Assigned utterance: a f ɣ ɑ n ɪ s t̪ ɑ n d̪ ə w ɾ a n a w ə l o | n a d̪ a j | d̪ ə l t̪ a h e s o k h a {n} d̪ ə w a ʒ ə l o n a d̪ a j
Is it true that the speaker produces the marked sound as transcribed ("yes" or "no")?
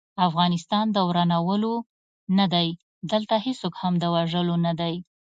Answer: no